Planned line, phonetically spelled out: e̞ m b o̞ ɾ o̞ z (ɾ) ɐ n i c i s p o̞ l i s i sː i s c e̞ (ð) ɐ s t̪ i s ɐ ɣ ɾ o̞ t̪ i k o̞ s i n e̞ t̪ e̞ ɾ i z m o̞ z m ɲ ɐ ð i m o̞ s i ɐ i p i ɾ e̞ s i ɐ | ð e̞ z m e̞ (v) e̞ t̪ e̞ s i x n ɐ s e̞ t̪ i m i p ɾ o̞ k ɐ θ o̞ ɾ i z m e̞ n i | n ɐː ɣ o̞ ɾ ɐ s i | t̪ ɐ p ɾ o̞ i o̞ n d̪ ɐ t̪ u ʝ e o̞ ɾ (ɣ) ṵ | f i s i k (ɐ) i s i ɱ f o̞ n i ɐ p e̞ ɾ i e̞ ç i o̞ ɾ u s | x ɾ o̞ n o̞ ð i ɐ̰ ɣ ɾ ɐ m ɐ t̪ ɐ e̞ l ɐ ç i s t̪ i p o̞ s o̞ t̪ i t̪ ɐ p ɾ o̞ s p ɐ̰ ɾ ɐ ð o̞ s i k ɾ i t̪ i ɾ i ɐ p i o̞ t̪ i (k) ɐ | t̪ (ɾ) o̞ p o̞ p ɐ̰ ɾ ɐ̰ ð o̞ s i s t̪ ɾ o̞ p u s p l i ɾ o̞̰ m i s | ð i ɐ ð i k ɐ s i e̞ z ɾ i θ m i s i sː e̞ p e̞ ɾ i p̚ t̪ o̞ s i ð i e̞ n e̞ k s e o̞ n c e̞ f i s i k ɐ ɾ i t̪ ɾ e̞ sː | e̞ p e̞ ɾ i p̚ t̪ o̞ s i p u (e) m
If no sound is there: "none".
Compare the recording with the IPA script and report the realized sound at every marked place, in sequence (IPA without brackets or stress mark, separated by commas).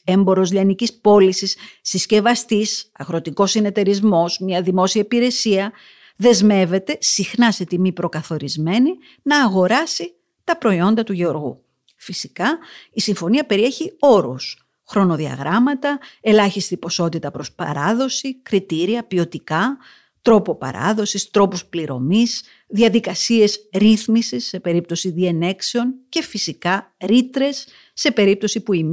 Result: ʎ, v, v, ɣ, ɐ, k, ɾ, i